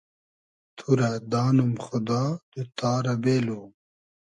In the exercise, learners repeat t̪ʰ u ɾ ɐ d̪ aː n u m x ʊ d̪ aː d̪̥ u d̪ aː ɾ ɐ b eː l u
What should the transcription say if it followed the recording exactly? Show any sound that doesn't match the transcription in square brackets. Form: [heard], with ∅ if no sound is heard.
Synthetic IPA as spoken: t̪ʰ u ɾ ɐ d̪ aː n u m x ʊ d̪ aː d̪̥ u [t̪] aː ɾ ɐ b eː l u